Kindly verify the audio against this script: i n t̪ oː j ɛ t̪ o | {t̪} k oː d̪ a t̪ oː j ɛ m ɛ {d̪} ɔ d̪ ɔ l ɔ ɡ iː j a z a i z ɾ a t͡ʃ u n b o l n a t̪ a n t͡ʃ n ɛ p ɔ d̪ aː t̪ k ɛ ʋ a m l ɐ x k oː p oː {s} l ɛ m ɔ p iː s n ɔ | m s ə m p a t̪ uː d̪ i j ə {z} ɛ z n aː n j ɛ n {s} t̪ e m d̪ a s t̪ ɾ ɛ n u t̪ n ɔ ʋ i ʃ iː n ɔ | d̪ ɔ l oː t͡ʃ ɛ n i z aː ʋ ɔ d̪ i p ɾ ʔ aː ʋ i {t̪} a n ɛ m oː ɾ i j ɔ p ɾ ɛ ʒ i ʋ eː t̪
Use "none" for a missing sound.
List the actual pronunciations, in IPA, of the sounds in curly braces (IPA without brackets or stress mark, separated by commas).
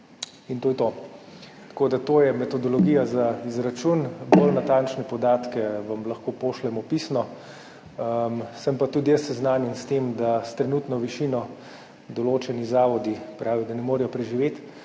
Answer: t̪, t̪, ʃ, s, s, d̪